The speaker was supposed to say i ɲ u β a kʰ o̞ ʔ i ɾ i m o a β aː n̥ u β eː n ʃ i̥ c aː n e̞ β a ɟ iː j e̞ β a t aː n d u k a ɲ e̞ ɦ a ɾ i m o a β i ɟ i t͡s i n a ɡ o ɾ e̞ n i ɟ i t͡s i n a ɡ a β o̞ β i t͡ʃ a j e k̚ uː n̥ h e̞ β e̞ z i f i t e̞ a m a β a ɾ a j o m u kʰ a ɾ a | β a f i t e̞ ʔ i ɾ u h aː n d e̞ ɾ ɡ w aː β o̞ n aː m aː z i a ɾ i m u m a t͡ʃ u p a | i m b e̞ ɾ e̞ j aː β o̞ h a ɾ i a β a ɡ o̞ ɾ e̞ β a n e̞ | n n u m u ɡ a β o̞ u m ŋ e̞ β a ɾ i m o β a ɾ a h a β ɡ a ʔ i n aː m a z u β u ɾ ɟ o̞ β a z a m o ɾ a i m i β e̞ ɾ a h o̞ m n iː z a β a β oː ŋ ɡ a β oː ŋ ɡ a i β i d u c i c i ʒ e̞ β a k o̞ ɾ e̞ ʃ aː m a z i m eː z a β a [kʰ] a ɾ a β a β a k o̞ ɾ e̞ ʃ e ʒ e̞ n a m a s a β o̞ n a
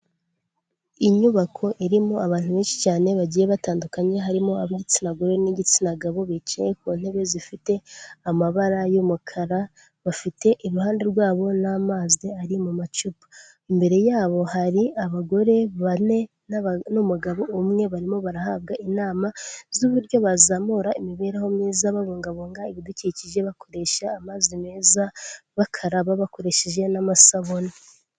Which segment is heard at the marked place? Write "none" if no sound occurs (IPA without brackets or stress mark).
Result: kʰ